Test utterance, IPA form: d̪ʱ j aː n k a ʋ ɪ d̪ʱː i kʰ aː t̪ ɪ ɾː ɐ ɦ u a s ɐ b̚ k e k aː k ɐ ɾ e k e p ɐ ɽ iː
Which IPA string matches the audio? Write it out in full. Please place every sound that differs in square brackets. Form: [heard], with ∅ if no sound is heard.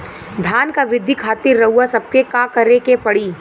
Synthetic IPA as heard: d̪ʱ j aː n k a ʋ ɪ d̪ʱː i kʰ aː t̪ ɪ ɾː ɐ ɦ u a s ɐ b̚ k e k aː k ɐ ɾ e k e p ɐ ɽ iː